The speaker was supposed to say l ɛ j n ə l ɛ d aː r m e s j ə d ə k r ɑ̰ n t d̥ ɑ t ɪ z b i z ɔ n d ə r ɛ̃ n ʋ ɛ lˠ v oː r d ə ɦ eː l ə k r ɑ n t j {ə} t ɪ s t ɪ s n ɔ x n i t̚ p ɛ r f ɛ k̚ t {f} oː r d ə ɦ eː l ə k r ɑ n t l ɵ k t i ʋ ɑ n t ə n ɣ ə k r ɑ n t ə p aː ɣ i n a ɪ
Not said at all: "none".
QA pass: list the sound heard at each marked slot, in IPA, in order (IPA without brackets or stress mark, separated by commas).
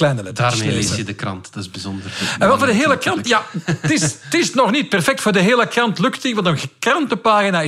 a, f